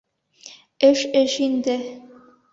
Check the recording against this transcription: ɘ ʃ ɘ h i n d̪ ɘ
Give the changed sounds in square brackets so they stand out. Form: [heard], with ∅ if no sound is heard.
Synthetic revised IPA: ɘ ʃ ɘ [ʃ] i n d̪ ɘ